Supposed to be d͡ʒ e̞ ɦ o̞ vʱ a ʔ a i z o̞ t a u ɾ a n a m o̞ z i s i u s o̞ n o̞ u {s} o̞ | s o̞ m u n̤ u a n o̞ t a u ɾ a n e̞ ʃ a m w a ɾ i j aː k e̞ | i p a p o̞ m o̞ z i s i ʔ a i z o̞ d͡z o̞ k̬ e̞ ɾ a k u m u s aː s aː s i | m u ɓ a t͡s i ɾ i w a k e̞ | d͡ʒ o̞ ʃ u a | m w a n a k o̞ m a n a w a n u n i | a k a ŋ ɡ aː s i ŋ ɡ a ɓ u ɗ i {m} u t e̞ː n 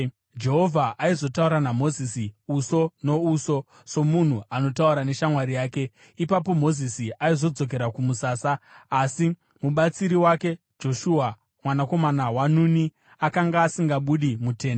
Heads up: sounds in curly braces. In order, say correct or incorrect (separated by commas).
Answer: correct, correct